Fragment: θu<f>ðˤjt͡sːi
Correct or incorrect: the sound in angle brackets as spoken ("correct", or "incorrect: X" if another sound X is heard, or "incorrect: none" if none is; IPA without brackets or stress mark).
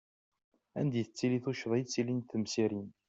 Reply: incorrect: ʃ